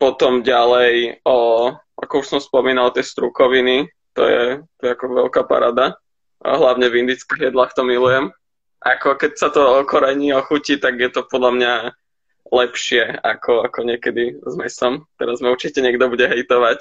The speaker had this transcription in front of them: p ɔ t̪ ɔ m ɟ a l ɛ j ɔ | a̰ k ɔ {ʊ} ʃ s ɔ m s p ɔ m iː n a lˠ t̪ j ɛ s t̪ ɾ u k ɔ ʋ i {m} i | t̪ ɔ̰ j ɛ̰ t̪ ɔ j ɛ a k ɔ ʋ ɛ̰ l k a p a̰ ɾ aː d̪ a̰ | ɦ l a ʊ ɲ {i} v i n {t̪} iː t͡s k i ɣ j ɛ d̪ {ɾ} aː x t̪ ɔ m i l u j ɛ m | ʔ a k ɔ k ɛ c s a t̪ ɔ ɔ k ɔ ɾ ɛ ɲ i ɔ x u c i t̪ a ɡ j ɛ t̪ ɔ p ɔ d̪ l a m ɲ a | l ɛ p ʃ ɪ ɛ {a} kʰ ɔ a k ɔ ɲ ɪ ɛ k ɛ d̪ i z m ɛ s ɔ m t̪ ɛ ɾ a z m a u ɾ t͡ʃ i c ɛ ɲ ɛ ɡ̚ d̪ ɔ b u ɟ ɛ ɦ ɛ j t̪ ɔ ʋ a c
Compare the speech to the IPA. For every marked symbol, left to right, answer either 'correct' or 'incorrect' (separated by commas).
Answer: incorrect, incorrect, incorrect, incorrect, incorrect, correct